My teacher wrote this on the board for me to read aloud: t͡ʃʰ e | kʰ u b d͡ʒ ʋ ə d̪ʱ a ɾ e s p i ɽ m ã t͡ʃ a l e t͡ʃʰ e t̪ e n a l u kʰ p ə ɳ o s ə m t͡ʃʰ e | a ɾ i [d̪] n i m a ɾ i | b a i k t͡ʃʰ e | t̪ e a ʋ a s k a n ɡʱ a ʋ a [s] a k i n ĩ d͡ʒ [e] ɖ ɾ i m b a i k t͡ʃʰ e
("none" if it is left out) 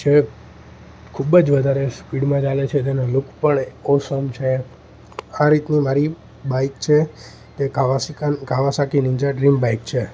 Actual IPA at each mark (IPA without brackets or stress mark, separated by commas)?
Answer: t̪, s, a